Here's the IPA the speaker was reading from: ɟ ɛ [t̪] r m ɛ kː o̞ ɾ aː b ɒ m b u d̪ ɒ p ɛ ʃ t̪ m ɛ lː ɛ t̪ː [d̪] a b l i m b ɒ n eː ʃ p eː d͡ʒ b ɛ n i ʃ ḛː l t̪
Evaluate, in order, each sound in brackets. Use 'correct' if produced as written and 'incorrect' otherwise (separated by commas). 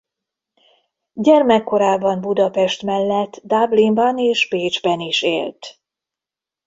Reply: incorrect, correct